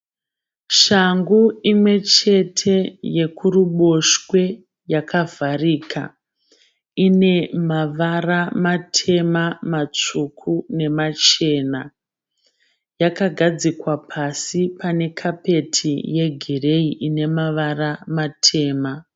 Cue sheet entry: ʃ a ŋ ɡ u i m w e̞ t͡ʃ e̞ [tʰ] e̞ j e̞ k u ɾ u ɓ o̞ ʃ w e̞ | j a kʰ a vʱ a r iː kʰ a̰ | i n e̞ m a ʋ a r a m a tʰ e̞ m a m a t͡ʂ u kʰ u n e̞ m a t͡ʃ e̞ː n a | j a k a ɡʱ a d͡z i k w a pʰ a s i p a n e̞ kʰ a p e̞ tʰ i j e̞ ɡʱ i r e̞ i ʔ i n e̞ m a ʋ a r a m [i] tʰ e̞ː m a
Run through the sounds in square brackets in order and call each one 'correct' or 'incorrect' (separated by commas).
correct, incorrect